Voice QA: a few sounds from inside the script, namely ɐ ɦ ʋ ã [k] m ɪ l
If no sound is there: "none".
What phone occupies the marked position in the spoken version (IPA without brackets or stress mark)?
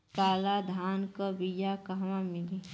none